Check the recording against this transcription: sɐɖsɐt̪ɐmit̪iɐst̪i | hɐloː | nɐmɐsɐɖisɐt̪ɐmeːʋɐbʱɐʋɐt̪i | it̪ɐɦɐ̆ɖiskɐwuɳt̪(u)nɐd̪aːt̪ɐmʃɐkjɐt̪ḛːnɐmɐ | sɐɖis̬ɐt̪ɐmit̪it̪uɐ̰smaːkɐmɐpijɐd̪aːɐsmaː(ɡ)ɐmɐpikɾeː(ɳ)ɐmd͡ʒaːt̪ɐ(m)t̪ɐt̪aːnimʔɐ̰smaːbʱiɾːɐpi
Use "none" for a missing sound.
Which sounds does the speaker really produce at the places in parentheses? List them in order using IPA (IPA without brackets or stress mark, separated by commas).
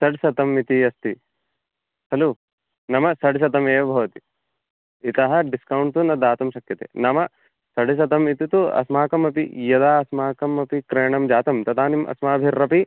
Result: u, k, ɳ, m